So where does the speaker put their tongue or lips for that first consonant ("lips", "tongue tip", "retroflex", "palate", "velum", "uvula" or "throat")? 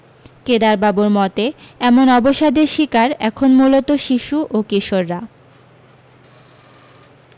velum